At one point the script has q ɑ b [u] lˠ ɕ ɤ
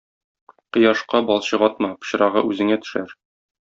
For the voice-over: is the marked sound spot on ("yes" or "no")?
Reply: no